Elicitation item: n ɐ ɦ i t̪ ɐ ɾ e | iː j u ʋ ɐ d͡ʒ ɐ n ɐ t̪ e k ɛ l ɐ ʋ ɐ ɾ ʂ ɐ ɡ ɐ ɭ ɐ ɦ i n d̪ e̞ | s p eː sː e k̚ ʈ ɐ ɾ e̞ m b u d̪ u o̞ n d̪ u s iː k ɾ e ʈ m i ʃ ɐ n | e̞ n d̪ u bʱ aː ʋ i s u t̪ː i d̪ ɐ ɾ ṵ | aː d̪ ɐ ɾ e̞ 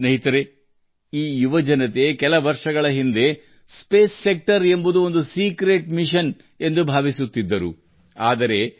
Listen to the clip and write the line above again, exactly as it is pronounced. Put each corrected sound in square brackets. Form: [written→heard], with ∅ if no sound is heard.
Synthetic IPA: n ɐ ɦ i t̪ ɐ ɾ e | iː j u ʋ ɐ d͡ʒ ɐ n ɐ t̪ e k ɛ l ɐ ʋ ɐ ɾ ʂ ɐ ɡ ɐ ɭ ɐ ɦ i n d̪ e̞ | s p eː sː e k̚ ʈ ɐ ɾ e̞ m b u d̪ u o̞ n d̪ u s iː k ɾ e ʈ m i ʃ ɐ n | e̞ n d̪ u bʱ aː ʋ i s u t̪ː i [d̪→d̪ː] ɐ ɾ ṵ | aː d̪ ɐ ɾ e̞